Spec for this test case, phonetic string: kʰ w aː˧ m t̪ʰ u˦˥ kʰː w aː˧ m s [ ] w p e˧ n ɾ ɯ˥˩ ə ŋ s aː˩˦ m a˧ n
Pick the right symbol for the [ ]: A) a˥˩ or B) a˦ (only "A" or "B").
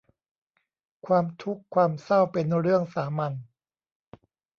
A